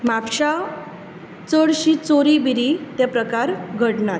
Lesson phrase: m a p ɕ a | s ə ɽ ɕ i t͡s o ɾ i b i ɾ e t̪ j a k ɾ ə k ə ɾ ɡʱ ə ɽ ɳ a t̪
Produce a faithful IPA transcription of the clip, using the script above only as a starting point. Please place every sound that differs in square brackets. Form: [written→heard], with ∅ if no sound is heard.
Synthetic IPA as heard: m a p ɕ a | [s→t͡s] ə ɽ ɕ i t͡s o ɾ i b i ɾ [e→i] t̪ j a [k→p] ɾ ə k [ə→a] ɾ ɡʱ ə ɽ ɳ a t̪